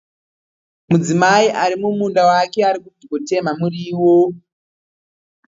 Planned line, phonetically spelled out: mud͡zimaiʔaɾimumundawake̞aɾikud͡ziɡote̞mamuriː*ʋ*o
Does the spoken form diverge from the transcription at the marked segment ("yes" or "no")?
yes